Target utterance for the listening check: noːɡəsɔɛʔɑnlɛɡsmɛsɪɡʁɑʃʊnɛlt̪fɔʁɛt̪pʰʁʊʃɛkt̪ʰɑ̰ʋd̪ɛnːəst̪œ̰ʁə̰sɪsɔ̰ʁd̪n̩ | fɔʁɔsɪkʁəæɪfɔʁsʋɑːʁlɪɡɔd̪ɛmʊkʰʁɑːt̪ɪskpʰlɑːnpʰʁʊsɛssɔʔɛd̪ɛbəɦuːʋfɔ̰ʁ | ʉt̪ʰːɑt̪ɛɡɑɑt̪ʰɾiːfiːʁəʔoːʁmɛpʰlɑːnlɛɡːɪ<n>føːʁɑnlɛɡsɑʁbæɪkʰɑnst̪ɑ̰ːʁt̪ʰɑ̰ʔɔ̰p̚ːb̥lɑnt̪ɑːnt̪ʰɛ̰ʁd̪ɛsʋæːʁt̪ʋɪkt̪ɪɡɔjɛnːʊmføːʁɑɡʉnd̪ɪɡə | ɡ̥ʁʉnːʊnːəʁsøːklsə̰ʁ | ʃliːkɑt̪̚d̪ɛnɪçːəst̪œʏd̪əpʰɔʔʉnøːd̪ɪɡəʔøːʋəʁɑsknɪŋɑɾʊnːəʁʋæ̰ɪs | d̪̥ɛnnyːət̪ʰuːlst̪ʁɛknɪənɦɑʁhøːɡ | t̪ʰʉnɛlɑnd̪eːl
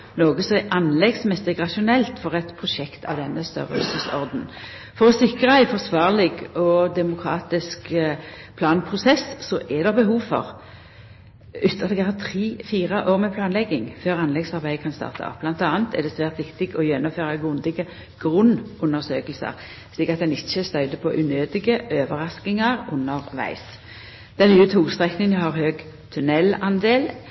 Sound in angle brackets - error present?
yes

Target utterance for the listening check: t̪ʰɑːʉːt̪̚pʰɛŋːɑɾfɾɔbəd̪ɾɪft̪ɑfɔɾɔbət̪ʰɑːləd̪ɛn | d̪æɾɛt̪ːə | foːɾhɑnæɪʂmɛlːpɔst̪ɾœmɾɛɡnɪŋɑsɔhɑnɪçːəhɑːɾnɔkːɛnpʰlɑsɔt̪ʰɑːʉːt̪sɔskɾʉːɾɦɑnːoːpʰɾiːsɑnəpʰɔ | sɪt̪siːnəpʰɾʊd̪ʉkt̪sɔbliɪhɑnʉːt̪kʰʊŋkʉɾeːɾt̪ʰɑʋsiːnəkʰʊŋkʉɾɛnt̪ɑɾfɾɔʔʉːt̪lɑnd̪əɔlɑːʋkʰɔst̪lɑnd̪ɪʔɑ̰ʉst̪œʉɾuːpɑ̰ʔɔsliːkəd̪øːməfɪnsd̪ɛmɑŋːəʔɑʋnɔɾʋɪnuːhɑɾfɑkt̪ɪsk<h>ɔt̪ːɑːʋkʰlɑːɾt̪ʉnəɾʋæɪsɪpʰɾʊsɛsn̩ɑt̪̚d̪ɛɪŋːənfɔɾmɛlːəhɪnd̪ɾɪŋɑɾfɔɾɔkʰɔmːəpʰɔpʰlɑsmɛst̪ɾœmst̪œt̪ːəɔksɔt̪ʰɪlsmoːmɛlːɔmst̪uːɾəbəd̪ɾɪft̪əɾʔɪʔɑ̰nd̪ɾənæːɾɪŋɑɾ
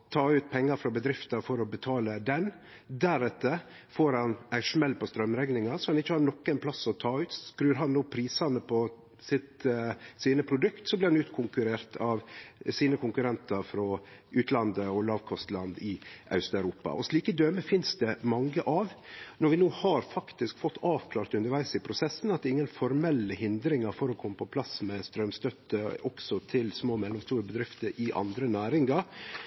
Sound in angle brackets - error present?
yes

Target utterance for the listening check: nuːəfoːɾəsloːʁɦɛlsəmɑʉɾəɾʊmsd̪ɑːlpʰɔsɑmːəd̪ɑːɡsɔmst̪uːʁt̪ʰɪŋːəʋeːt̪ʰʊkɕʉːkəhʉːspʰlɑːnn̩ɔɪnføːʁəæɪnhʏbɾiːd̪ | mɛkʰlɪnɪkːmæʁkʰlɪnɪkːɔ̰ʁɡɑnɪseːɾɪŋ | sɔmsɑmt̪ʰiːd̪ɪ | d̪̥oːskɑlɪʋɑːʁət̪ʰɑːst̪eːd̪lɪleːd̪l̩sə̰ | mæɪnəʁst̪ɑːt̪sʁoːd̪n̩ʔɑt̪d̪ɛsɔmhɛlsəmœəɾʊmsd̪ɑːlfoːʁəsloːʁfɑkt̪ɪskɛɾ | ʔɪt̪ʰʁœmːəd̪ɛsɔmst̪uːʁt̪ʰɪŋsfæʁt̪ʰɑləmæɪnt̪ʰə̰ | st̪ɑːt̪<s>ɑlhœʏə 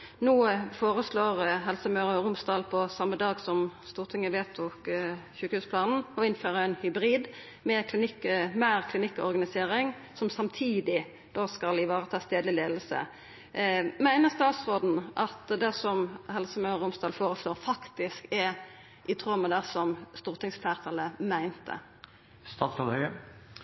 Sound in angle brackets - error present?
no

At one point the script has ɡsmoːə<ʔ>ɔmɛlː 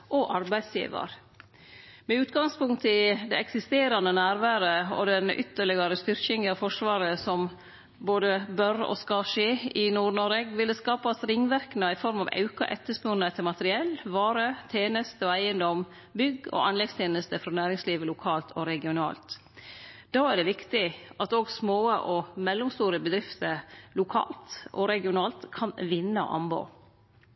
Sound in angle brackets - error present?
no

